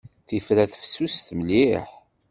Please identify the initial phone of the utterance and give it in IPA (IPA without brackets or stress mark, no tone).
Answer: θ